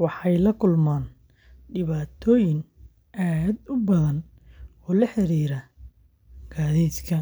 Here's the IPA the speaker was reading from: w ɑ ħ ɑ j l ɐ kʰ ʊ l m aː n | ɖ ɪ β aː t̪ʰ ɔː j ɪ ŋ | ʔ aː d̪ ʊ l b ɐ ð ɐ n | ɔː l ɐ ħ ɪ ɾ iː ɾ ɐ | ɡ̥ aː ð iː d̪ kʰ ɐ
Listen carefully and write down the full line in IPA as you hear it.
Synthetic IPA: w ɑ ħ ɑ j l ɐ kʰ ʊ l m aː n | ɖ ɪ β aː t̪ʰ ɔː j ɪ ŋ | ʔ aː d̪ ʊ b ɐ ð ɐ n | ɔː l ɐ ħ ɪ ɾ iː ɾ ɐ | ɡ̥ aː ð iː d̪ kʰ ɐ